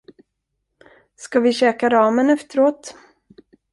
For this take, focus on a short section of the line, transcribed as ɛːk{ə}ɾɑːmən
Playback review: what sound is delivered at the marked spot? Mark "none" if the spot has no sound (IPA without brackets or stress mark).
a